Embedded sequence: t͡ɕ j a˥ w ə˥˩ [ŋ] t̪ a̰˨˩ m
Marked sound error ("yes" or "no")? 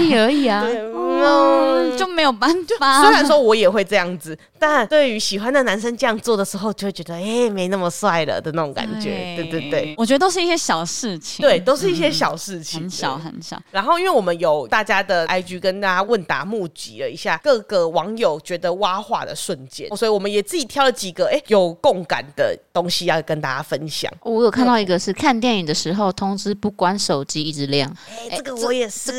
yes